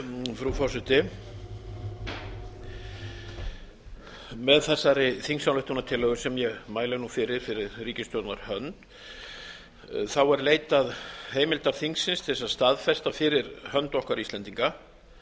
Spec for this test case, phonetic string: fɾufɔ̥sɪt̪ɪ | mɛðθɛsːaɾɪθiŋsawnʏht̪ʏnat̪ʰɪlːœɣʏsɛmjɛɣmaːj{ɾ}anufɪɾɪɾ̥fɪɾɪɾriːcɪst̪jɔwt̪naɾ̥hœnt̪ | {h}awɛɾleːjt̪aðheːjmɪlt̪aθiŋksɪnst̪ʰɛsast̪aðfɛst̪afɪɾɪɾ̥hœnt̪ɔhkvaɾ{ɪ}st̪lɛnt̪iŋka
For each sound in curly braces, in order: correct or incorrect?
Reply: incorrect: l, incorrect: θ, incorrect: i

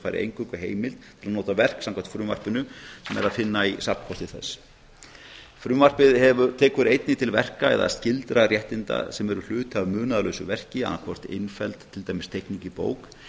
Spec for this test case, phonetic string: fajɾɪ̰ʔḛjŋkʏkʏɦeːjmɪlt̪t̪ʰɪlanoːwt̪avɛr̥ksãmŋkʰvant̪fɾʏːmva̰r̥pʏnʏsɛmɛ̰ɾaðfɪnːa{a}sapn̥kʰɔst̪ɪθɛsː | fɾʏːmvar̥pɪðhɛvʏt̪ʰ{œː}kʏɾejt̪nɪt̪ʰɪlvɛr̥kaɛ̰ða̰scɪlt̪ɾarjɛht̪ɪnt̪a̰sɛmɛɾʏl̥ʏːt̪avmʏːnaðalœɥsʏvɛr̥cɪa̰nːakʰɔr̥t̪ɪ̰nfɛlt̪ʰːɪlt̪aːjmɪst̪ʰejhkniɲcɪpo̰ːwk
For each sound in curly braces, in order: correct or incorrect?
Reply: incorrect: i, incorrect: ɛː

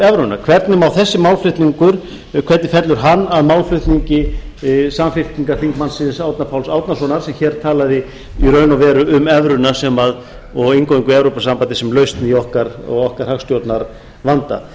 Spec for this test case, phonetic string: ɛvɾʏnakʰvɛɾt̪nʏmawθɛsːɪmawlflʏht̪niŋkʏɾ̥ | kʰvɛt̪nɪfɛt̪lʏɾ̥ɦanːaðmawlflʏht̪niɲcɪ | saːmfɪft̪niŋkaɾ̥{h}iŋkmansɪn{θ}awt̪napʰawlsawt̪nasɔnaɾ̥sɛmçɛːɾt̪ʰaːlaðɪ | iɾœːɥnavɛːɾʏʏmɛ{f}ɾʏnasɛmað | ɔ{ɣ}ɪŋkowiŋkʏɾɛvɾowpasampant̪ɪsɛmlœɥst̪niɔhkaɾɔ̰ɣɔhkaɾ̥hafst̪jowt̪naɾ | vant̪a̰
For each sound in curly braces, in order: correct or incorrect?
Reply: incorrect: θ, incorrect: s, incorrect: v, correct

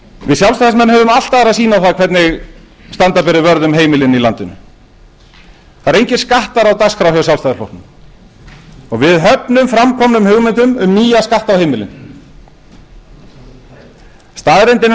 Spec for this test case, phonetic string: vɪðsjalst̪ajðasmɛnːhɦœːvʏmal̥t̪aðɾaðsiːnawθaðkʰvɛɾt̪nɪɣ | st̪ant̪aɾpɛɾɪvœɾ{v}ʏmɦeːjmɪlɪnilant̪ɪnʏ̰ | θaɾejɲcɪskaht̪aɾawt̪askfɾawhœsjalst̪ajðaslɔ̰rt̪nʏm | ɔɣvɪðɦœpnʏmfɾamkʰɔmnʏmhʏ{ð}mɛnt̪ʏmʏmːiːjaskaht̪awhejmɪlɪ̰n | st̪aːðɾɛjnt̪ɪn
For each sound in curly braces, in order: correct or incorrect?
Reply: incorrect: ð, incorrect: ɣ

